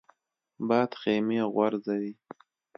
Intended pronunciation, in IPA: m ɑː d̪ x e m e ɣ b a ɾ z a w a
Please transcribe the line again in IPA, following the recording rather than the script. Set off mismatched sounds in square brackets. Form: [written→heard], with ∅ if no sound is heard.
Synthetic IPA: [m→b] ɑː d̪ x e m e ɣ [b→w] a ɾ z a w [a→i]